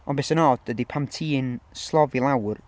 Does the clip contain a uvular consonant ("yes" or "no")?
no